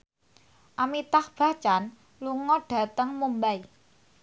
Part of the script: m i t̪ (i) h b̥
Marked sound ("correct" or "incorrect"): incorrect